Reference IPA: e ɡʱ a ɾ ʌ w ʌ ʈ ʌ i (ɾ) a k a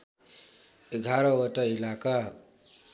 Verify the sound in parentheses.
incorrect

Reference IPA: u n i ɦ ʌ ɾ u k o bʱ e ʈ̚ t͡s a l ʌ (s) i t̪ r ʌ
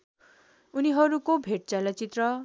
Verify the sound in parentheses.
incorrect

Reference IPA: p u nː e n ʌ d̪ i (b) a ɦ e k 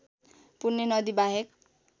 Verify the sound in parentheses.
correct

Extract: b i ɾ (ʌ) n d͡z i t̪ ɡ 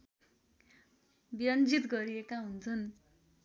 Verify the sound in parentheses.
correct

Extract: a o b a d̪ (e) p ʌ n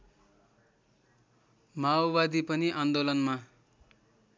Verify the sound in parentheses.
incorrect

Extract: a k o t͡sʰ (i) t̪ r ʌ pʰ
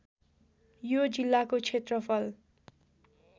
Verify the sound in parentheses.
incorrect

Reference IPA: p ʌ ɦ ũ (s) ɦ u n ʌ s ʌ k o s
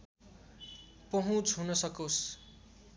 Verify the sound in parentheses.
incorrect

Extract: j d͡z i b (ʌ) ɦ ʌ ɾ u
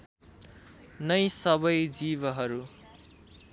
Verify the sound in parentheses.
correct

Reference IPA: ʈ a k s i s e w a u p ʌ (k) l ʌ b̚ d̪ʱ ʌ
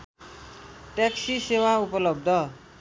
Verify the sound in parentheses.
incorrect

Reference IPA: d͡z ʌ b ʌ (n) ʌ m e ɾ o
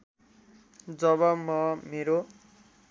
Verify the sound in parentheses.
incorrect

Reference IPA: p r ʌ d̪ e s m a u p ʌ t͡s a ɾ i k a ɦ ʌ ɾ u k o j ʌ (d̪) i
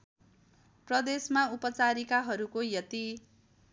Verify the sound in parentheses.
incorrect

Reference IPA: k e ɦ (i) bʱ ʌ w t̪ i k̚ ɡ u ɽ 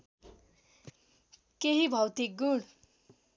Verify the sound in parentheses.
correct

